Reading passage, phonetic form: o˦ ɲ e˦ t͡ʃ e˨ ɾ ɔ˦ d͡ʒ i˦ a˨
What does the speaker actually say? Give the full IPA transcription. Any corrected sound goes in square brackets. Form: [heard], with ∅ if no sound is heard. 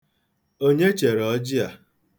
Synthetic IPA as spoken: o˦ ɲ e˦ t͡ʃ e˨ ɾ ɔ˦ d͡ʒ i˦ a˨